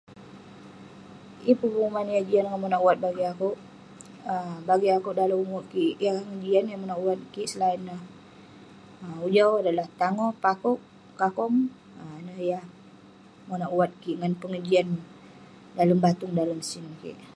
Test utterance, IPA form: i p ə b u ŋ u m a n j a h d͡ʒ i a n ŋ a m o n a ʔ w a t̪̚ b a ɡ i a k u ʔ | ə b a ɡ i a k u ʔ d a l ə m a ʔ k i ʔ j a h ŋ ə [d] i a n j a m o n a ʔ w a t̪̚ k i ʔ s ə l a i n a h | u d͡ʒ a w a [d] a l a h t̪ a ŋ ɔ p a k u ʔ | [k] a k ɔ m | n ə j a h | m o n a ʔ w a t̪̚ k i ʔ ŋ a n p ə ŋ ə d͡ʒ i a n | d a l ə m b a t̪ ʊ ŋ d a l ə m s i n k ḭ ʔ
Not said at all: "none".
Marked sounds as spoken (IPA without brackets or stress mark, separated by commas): d͡ʒ, d, k